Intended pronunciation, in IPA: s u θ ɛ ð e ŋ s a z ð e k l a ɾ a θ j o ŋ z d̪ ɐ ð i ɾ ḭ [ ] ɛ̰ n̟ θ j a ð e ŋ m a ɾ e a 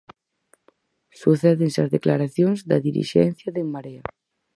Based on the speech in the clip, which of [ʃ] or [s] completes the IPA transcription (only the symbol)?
ʃ